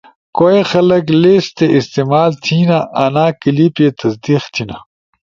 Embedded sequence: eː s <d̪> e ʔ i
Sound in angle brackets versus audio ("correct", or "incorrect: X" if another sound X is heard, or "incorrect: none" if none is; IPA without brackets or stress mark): incorrect: t̪